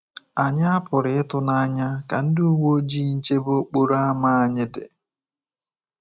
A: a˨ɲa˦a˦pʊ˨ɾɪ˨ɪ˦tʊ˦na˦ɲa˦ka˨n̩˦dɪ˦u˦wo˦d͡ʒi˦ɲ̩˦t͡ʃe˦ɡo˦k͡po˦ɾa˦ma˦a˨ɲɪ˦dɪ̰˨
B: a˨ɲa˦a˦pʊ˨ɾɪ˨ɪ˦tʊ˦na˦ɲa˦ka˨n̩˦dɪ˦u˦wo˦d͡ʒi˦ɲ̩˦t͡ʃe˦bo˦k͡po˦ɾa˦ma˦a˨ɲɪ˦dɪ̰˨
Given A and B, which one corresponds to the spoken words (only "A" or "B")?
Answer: B